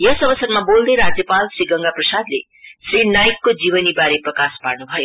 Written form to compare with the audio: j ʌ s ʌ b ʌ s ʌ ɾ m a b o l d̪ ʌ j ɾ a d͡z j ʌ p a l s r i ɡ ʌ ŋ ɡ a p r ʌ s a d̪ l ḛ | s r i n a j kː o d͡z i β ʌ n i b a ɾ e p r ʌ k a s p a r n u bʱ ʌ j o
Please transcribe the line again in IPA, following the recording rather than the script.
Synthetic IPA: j ʌ s ʌ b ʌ s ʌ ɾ m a b o l d̪ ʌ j ɾ a d͡z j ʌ p a l s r i ɡ ʌ ŋ ɡ a p r ʌ s a d̪ l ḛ | s r i n a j kː o d͡z i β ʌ n i b a ɾ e p r ʌ k a s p a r n u bʱ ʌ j o